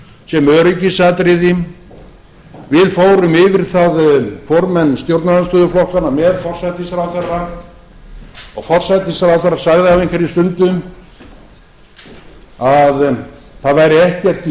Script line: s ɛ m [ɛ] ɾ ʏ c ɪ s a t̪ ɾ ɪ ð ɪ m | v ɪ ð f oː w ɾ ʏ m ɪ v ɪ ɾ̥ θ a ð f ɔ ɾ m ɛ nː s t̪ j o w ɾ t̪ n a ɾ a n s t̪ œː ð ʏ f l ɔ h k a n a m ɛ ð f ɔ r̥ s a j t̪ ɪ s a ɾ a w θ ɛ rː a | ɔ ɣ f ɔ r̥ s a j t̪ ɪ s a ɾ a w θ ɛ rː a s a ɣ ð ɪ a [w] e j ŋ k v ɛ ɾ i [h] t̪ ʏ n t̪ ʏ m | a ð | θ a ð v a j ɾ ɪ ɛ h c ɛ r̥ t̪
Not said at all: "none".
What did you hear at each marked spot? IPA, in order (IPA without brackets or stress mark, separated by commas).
œ, v, s